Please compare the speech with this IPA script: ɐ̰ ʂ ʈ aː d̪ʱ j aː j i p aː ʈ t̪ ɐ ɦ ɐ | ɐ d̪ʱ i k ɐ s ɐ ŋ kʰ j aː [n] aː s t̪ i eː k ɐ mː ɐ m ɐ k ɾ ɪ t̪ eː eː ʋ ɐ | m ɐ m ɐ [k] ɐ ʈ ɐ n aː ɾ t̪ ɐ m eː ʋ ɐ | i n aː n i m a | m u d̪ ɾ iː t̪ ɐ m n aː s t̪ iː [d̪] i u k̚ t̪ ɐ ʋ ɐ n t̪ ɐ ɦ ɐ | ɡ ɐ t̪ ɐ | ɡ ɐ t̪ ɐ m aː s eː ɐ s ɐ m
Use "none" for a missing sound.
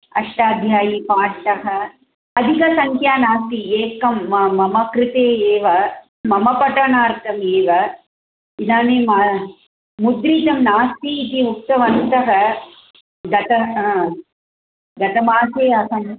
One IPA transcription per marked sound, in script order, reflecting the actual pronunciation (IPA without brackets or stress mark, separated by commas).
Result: n, p, t̪